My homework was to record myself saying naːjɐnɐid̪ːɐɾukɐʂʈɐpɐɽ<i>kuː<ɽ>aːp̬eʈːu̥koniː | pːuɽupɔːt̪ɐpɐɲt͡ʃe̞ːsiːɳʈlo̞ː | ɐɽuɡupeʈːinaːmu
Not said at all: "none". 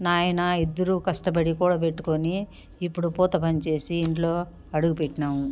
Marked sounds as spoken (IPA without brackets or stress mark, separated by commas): i, ɽ